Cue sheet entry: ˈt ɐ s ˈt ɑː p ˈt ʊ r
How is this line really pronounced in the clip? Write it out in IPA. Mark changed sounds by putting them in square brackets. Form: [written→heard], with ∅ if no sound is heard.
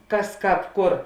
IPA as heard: [ˈt→ˈk] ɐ s [ˈt→ˈk] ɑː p [ˈt→ˈk] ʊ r